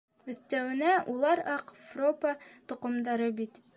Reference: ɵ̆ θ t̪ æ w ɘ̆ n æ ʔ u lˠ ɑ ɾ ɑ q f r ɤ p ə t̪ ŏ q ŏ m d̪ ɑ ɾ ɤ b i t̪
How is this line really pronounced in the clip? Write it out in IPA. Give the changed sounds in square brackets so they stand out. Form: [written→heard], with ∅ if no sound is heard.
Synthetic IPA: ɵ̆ θ t̪ æ w ɘ̆ n æ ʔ u lˠ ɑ ɾ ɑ q f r [ɤ→o] p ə t̪ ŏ q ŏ m d̪ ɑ ɾ ɤ b i t̪

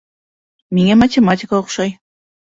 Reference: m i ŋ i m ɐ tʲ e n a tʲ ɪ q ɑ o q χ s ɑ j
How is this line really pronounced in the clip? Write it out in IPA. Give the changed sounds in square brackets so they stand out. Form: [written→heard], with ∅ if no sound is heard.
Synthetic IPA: m i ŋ [i→e] m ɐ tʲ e [n→m] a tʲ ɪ [q→k] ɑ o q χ [s→ʃ] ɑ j

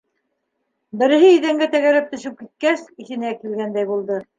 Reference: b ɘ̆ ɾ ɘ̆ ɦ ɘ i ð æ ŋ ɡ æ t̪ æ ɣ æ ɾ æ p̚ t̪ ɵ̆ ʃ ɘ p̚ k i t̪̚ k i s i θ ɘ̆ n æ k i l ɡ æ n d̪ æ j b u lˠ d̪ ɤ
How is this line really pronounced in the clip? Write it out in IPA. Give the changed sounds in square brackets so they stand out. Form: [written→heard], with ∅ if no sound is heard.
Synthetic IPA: b ɘ̆ ɾ ɘ̆ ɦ ɘ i ð æ ŋ ɡ æ t̪ æ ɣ æ ɾ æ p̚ t̪ ɵ̆ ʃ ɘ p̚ k i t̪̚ k [i→æ] s i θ ɘ̆ n æ k i l ɡ æ n d̪ æ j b u lˠ d̪ ɤ

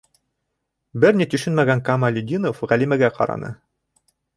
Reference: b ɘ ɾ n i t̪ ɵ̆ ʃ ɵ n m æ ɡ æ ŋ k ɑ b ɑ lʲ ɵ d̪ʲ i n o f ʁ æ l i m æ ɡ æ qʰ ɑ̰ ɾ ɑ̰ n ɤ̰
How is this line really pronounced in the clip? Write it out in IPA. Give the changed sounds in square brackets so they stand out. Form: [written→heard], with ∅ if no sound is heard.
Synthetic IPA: b ɘ ɾ n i t̪ ɵ̆ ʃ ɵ n m æ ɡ æ ŋ k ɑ [b→m] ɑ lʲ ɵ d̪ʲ i n o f ʁ æ l i m æ ɡ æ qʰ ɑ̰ ɾ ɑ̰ n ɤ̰

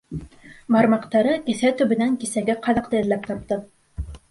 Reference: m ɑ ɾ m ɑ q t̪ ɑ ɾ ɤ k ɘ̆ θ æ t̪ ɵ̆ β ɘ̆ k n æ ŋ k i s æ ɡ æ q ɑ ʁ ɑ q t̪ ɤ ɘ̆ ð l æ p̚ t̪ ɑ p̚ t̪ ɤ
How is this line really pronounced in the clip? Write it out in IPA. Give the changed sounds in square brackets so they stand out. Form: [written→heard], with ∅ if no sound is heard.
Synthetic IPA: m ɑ ɾ m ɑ q t̪ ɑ ɾ ɤ k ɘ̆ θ æ t̪ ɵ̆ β ɘ̆ [k→∅] n æ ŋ k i s æ ɡ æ q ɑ [ʁ→ð] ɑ q t̪ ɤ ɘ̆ ð l æ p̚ t̪ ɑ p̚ t̪ ɤ

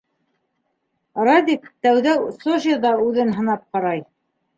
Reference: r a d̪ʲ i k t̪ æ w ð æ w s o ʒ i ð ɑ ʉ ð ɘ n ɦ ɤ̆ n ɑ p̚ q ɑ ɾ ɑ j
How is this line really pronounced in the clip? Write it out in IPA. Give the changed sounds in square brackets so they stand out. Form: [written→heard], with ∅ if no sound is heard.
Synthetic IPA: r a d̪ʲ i k t̪ æ w ð æ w s o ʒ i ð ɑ ʉ ð ɘ n ɦ ɤ̆ n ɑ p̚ q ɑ ɾ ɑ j

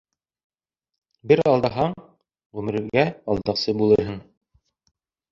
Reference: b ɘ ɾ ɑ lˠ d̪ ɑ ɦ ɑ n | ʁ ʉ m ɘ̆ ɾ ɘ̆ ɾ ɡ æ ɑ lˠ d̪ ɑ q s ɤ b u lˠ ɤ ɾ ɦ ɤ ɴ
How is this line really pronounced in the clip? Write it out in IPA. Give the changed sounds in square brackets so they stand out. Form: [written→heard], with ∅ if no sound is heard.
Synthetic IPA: b ɘ ɾ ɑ lˠ d̪ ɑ ɦ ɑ [n→ɴ] | ʁ ʉ m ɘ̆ ɾ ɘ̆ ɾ ɡ æ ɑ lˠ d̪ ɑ q s ɤ b u lˠ ɤ ɾ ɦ ɤ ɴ

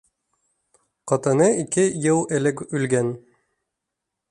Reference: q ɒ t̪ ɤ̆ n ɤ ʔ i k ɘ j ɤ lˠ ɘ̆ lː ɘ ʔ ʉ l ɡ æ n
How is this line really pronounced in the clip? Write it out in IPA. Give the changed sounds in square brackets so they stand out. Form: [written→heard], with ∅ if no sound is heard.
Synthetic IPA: q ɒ t̪ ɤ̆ n ɤ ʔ i k ɘ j ɤ lˠ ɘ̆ [lː→l] ɘ [ʔ→k] ʉ l ɡ æ n

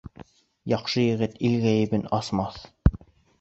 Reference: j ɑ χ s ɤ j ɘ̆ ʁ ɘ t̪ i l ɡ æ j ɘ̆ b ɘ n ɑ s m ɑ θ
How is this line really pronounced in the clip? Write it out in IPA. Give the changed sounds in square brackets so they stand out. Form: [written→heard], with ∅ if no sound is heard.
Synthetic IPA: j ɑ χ [s→ʃ] ɤ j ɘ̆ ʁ ɘ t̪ i l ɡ æ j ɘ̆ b ɘ n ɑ s m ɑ θ

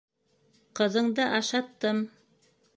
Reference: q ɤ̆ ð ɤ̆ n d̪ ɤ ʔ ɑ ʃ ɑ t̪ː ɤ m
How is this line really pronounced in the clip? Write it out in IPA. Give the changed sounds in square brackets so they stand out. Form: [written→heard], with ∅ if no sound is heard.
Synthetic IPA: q ɤ̆ ð ɤ̆ [n→ɴ] d̪ ɤ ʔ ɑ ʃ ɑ t̪ː ɤ m

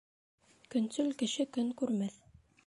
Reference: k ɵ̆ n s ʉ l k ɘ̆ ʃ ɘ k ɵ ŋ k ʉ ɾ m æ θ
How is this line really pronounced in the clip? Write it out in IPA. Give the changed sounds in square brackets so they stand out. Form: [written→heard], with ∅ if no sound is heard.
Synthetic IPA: k ɵ̆ n s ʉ l k ɘ̆ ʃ ɘ k ɵ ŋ k ʉ ɾ m æ θ

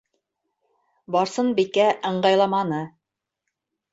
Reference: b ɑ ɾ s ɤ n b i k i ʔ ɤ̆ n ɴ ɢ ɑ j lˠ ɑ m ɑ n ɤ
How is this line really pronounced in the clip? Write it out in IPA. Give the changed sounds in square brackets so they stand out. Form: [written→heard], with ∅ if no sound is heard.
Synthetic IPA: b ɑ ɾ s ɤ n b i k [i→æ] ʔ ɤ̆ [n→∅] ɴ ɢ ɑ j lˠ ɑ m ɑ n ɤ

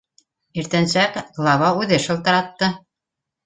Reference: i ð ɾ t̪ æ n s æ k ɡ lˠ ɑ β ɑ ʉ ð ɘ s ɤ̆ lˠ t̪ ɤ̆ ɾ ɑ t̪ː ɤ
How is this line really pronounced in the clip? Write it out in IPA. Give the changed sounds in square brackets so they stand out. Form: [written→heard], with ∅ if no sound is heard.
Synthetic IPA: i [ð→∅] ɾ t̪ æ n s æ k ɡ lˠ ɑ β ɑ ʉ ð ɘ [s→ʃ] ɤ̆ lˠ t̪ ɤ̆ ɾ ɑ t̪ː ɤ

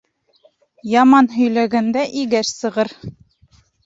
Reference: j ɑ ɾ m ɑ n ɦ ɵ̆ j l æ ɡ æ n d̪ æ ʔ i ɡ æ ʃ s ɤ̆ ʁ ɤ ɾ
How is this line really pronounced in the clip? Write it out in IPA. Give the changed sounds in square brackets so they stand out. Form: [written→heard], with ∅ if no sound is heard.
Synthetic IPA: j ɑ [ɾ→∅] m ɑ n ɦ ɵ̆ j l æ ɡ æ n d̪ æ ʔ i ɡ æ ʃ s ɤ̆ ʁ ɤ ɾ

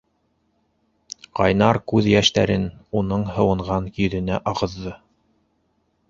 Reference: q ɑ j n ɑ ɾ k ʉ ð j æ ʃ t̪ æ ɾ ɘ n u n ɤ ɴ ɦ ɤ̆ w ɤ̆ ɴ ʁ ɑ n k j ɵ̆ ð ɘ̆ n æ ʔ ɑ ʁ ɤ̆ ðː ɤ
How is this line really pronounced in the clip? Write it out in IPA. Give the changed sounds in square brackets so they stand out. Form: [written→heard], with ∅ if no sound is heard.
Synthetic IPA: q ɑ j n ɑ ɾ k ʉ ð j æ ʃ t̪ æ ɾ ɘ n u n ɤ ɴ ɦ ɤ̆ w ɤ̆ ɴ ʁ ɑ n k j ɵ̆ ð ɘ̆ n æ ʔ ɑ ʁ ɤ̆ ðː ɤ

